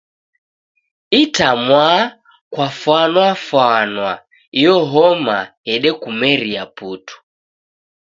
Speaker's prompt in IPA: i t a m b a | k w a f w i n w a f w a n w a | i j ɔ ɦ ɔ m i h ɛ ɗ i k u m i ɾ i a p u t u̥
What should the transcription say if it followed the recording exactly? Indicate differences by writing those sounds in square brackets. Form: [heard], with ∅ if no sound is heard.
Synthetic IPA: i t a m [w] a | k w a f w [a] n w a f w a n w a | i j ɔ ɦ ɔ m [a] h ɛ ɗ [ɛ] k u m [ɛ] ɾ i a p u t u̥